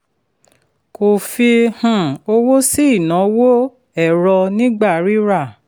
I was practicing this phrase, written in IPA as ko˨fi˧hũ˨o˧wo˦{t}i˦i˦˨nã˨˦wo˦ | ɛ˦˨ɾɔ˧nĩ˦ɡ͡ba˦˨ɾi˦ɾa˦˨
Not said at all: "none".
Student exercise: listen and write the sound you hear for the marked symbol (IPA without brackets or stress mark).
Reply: s